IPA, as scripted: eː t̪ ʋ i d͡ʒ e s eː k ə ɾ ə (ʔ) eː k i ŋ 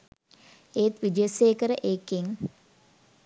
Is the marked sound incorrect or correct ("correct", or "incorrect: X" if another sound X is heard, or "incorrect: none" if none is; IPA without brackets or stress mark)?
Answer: correct